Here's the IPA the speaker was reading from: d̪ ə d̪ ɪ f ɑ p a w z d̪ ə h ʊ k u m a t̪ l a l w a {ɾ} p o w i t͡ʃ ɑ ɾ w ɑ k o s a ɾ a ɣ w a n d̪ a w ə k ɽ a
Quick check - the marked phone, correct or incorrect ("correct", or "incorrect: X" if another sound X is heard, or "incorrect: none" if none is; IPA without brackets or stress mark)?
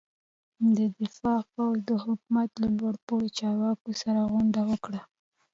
incorrect: ɽ